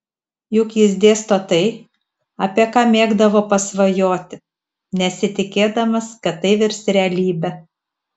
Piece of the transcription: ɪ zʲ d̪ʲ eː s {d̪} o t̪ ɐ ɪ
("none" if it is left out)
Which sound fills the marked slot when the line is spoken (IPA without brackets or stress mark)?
t̪